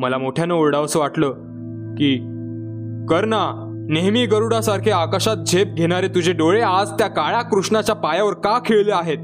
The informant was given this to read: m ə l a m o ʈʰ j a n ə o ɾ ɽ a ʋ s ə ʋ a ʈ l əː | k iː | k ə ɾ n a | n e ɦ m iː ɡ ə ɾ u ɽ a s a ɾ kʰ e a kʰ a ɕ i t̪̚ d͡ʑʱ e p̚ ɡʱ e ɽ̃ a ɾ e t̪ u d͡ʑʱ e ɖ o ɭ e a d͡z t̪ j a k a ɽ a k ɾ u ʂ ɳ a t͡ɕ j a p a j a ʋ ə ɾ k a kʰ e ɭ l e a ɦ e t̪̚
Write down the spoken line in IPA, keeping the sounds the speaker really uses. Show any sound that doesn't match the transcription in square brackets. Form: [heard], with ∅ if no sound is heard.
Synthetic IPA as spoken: m ə l a m o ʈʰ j a n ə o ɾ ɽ a ʋ s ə ʋ a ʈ l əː | k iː | k ə ɾ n a | n e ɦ m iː ɡ ə ɾ u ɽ a s a ɾ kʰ e a [k] a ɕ [a] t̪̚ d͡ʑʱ e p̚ ɡʱ e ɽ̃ a ɾ e t̪ u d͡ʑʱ e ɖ o ɭ e a d͡z t̪ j a k a [ɭ] a k ɾ u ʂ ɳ a t͡ɕ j a p a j a ʋ ə ɾ k a kʰ e ɭ l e a ɦ e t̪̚